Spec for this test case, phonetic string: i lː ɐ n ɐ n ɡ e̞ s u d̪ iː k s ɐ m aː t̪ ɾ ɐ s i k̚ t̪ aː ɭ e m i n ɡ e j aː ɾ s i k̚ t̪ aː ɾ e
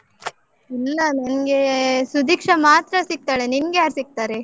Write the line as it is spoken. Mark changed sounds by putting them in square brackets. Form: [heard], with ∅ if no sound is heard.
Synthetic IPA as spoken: i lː ɐ n ɐ n ɡ e̞ s u d̪ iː k [ʂ] ɐ m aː t̪ ɾ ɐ s i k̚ t̪ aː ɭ e [n] i n ɡ e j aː ɾ s i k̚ t̪ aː ɾ e